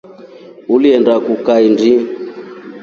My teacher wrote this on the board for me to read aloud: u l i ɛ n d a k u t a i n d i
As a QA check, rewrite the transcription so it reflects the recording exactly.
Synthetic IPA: u l i ɛ n d a k u k a i n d i